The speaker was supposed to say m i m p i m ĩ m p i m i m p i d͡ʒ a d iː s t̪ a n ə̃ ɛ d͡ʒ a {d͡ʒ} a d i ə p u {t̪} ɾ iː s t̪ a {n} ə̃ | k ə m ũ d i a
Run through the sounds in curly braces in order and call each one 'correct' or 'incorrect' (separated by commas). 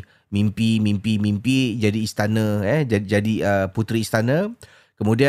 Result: correct, correct, correct